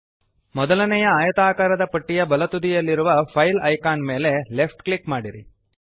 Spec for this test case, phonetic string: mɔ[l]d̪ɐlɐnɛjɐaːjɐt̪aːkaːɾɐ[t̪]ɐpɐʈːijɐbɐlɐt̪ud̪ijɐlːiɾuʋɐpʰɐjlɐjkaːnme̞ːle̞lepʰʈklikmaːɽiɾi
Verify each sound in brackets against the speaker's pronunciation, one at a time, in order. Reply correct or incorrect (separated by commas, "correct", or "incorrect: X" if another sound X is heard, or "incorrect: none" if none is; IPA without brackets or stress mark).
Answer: incorrect: none, incorrect: d̪